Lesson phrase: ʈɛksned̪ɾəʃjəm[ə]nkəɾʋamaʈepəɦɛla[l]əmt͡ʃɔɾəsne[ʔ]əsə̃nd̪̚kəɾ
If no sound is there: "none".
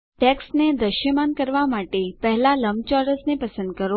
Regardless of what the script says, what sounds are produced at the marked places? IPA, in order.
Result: a, l, p

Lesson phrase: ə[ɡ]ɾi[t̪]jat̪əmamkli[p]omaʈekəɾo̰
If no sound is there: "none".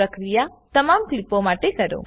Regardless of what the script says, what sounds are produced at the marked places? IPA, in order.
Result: k, none, p

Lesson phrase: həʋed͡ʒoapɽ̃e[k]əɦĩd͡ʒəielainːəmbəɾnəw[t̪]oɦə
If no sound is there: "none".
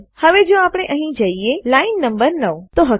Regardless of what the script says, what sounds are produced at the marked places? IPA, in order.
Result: ʔ, t̪

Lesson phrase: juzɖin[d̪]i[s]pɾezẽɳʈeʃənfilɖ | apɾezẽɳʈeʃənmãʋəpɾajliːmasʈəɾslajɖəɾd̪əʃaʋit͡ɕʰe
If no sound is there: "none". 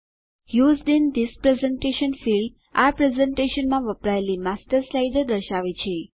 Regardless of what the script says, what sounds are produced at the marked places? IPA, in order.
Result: d̪, s

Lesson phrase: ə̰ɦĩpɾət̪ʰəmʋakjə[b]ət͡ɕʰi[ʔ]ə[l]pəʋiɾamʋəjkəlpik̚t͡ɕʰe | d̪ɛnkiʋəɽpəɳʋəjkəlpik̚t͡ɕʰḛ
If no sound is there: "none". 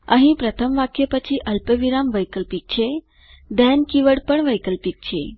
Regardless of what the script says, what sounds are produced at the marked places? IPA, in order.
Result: p, ʔ, l

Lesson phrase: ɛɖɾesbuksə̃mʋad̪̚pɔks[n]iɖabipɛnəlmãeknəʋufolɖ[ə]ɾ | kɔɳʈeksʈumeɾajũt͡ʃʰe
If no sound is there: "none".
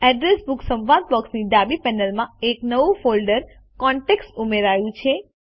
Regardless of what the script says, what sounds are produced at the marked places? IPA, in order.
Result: n, ə

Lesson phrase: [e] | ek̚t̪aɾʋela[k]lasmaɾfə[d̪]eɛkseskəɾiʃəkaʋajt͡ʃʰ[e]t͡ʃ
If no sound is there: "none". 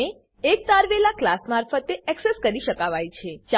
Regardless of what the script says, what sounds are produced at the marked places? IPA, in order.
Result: e, k, t̪, e

